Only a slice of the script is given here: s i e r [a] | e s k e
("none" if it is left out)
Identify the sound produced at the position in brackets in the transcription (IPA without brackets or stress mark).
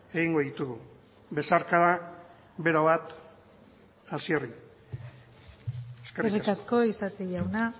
i